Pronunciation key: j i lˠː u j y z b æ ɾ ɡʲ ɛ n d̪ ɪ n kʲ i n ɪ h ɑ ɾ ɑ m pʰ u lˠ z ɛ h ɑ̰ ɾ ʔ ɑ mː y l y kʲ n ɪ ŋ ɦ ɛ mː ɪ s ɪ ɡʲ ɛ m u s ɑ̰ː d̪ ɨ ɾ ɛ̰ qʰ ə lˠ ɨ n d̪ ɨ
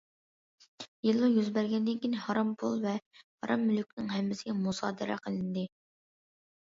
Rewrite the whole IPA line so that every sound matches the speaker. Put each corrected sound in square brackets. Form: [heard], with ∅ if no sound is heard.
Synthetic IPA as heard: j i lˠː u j y z b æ ɾ ɡʲ ɛ n d̪ ɪ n kʲ i n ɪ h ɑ ɾ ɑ m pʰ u lˠ [v] ɛ h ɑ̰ ɾ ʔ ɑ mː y l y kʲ n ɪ ŋ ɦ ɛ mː ɪ s ɪ ɡʲ ɛ m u s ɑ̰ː d̪ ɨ ɾ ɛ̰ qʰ ə lˠ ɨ n d̪ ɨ